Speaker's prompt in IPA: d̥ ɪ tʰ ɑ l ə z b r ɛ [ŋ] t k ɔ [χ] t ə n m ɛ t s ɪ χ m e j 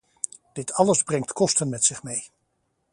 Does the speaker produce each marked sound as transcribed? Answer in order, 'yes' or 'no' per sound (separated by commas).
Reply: yes, no